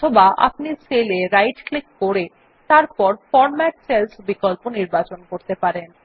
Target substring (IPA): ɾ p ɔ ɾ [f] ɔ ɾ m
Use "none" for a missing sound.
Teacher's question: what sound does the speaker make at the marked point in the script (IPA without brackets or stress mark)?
f